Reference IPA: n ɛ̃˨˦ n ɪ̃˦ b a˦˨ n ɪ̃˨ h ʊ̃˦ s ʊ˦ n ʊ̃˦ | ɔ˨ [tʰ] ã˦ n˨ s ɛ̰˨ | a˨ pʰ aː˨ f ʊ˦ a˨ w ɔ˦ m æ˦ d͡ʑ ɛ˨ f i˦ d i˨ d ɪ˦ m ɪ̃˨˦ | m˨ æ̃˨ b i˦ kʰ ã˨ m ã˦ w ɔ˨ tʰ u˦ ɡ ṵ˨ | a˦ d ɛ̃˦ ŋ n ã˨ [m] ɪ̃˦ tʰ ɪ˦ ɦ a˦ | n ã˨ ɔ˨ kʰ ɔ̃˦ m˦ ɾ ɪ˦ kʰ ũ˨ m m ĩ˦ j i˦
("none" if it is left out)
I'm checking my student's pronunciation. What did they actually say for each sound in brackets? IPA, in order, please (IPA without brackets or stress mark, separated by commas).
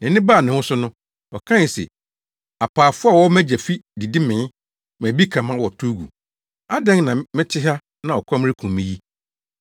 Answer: kʰ, m